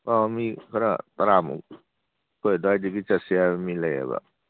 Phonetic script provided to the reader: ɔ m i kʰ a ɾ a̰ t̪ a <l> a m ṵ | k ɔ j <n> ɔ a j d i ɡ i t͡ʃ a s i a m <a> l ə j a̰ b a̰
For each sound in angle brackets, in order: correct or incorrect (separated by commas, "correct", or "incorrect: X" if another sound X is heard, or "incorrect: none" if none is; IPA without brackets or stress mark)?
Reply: incorrect: ɾ, incorrect: d, incorrect: i